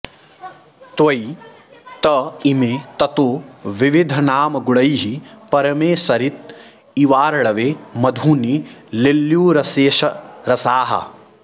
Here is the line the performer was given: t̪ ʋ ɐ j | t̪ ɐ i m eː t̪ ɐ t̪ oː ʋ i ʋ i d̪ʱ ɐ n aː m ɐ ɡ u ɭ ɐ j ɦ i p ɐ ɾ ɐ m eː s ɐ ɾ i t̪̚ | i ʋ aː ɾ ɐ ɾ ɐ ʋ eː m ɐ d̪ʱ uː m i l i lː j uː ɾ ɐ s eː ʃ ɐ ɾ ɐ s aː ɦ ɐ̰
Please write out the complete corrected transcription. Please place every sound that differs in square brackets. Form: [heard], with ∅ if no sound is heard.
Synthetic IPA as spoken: t̪ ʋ ɐ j | t̪ ɐ i m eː t̪ ɐ t̪ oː ʋ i ʋ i d̪ʱ ɐ n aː m ɐ ɡ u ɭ ɐ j ɦ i p ɐ ɾ ɐ m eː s ɐ ɾ i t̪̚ | i ʋ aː ɾ ɐ [ɭ] ɐ ʋ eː m ɐ d̪ʱ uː [n] i l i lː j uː ɾ ɐ s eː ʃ ɐ ɾ ɐ s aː ɦ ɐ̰